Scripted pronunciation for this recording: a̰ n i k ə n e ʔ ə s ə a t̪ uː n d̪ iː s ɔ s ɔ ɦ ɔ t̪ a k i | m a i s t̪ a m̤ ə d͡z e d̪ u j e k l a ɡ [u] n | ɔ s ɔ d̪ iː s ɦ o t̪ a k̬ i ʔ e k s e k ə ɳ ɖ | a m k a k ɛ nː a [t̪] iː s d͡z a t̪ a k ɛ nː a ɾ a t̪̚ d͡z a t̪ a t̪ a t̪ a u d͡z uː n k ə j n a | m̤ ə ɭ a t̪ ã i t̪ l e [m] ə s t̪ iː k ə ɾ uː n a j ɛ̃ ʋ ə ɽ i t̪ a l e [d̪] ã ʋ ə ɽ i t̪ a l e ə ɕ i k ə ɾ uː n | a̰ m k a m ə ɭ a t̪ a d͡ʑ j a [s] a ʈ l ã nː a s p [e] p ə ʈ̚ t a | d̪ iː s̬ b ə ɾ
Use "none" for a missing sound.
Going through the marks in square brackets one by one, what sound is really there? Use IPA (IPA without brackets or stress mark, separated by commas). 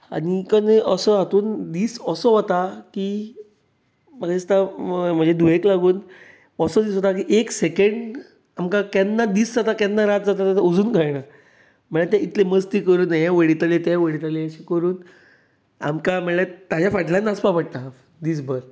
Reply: uː, d̪, m, t̪, f, a